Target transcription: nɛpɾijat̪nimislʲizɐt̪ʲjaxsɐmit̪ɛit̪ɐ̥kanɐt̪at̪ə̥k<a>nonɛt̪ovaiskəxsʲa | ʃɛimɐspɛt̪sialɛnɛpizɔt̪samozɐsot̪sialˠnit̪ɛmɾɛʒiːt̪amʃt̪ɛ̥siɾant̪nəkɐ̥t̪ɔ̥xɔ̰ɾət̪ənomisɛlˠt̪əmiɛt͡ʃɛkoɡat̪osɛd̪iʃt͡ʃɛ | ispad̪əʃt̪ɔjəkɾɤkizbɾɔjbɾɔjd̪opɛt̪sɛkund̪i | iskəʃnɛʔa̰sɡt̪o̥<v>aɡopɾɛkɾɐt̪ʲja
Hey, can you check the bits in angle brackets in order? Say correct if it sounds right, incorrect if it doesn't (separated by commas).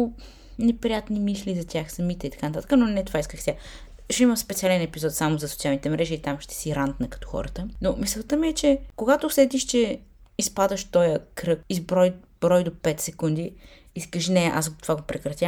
incorrect, correct